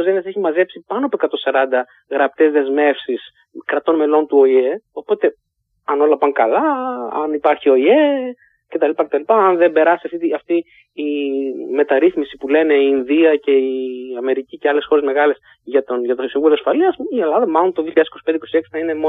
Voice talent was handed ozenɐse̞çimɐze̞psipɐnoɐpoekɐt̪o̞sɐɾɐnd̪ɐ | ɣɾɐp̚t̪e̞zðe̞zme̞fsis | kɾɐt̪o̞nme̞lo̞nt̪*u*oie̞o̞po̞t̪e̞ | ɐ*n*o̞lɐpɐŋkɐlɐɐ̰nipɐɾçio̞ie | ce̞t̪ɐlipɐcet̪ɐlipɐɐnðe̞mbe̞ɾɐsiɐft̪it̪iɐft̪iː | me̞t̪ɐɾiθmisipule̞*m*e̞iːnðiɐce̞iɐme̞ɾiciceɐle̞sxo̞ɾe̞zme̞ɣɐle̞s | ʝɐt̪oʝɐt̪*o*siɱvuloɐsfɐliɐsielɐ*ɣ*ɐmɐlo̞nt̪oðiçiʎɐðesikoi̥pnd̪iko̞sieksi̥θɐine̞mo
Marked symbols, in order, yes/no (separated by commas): yes, yes, no, yes, no